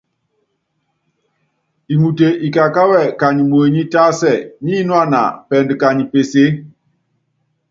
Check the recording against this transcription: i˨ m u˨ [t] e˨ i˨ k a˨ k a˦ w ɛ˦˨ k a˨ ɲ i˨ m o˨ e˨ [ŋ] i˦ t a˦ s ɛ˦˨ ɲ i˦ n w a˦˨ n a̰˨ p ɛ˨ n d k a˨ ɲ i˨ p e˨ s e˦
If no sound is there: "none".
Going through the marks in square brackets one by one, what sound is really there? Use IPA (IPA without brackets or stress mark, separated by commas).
t, ɲ